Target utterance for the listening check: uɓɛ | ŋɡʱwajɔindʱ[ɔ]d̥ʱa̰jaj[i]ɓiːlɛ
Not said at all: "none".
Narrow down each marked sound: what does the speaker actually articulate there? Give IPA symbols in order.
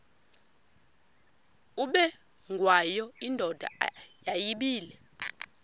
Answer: ɔ, i

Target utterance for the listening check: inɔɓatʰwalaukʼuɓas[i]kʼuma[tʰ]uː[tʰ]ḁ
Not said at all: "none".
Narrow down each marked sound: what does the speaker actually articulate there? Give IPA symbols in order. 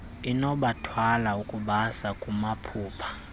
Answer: a, pʰ, pʰ

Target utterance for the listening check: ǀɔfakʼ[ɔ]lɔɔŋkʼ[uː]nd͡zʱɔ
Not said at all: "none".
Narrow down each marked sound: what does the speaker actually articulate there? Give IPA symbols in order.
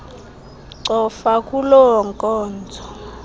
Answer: u, ɔː

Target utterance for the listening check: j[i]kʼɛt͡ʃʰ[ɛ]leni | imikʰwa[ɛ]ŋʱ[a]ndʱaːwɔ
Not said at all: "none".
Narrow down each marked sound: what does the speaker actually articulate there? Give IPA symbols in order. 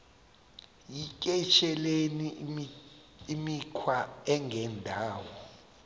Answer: i, ɛ, ɛ, ɛ

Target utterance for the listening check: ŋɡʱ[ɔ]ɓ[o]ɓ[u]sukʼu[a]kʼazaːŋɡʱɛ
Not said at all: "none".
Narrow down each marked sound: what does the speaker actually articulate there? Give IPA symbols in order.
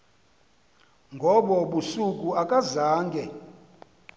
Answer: ɔ, ɔ, u, a

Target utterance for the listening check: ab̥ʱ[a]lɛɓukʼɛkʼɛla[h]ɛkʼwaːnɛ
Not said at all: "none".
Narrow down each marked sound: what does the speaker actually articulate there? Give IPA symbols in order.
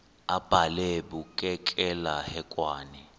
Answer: a, h

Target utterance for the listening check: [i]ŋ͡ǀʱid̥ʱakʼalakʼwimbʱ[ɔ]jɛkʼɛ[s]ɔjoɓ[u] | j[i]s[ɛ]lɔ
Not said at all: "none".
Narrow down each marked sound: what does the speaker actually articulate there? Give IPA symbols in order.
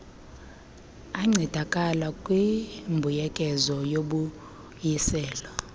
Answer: a, u, z, u, i, ɛː

